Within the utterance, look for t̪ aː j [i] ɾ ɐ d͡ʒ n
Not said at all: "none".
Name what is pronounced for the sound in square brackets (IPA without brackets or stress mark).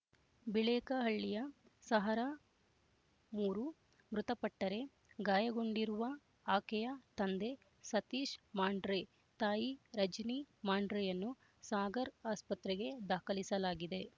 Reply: i